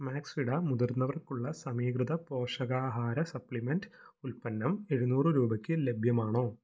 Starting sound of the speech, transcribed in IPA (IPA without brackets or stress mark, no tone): m